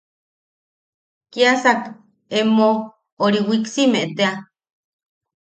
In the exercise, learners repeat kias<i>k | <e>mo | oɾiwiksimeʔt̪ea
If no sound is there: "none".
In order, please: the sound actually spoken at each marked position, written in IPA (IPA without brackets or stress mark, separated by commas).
a, e